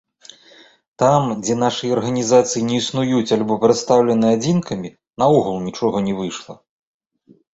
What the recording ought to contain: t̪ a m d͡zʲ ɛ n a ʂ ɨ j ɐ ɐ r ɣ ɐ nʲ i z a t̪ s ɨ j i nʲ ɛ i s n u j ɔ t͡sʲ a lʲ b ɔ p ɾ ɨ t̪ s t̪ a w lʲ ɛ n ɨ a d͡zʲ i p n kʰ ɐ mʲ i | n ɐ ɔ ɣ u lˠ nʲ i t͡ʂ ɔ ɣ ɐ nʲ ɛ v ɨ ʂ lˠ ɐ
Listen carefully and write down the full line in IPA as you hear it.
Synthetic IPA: t̪ a m d͡zʲ ɛ n a ʂ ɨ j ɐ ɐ r ɣ ɐ nʲ i z a t̪ s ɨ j i nʲ ɛ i s n u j u t͡sʲ a lʲ b ɔ p ɾ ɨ t̪ s t̪ a w lʲ ɛ n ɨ a d͡zʲ i n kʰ ɐ mʲ i | n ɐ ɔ ɣ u lˠ nʲ i t͡ʂ ɔ ɣ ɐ nʲ ɛ v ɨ ʂ lˠ ɐ